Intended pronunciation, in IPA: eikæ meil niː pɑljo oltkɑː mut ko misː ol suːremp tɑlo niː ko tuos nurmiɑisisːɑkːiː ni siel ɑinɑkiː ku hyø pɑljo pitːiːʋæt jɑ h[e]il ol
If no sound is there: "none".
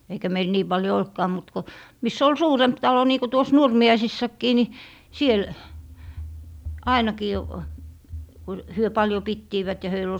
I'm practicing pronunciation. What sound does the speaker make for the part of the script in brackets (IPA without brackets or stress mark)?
ø